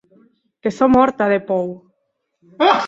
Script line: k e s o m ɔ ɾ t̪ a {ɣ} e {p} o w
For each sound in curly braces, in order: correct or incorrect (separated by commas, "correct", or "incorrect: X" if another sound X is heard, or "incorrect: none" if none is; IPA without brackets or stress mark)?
incorrect: ð, correct